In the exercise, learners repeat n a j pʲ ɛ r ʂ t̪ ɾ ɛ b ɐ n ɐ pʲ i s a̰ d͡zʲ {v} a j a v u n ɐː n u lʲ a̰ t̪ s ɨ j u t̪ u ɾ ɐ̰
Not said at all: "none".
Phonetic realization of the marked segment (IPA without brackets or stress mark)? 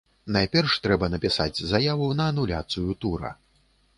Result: z